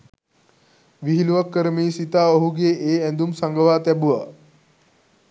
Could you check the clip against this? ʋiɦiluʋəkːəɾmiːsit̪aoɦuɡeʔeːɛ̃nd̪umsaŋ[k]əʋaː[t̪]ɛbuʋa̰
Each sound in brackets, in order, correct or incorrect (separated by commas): incorrect, correct